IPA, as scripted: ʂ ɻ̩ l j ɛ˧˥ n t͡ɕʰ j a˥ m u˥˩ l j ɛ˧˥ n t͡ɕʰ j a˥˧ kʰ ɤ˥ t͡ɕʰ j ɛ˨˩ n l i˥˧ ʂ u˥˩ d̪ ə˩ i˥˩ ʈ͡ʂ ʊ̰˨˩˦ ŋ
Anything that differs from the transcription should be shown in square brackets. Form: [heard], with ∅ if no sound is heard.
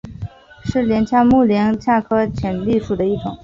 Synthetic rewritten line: ʂ ɻ̩ l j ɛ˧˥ n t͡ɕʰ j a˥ m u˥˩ l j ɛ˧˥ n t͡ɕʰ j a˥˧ kʰ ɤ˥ t͡ɕʰ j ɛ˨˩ n l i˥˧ ʂ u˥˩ d̪ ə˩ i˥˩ ʈ͡ʂ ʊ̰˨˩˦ ŋ